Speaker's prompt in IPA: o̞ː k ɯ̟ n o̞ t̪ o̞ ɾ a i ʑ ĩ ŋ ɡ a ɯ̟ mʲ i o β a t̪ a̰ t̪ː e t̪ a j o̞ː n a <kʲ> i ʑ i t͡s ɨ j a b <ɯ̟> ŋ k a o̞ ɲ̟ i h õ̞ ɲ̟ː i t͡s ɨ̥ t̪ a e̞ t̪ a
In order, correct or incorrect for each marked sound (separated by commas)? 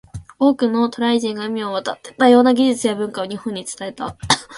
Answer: incorrect, incorrect